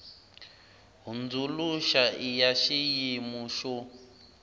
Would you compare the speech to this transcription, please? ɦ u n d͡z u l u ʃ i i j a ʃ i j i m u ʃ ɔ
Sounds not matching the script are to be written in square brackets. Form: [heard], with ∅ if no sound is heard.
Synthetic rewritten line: ɦ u n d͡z u l u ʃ [a] i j a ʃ i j i m u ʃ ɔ